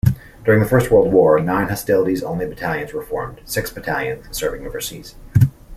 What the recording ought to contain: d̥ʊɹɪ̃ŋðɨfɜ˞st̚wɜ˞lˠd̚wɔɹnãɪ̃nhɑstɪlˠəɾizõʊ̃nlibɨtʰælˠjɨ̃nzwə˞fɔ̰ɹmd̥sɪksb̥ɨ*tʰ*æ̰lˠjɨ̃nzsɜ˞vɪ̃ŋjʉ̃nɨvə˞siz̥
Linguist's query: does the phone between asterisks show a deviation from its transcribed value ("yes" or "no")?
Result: no